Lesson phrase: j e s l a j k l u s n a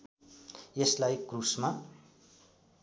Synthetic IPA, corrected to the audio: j e s l a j k r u s m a